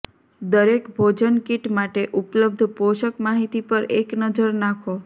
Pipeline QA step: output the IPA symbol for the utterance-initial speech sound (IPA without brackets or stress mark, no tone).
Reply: d̪